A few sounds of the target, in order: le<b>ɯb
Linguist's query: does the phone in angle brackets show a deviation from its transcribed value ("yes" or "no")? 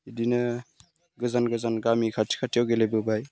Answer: no